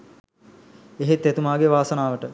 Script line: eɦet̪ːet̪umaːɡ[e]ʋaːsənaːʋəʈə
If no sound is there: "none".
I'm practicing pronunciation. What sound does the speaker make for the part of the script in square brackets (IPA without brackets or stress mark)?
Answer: e